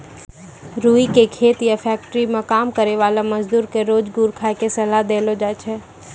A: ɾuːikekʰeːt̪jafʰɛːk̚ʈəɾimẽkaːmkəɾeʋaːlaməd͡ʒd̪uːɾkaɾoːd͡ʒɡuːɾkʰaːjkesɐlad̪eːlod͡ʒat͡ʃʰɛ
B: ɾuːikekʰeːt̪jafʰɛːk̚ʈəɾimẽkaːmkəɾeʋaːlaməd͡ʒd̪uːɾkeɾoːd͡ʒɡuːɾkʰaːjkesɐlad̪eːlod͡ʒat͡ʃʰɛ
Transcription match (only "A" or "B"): B